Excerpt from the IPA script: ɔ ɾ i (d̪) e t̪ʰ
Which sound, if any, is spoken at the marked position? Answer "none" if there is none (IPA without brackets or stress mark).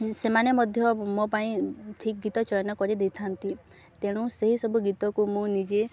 d̪